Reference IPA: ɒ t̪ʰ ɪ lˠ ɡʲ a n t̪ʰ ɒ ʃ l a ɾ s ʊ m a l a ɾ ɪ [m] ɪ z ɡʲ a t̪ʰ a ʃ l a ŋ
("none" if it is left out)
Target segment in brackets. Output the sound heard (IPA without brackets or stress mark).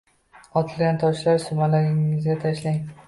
ŋ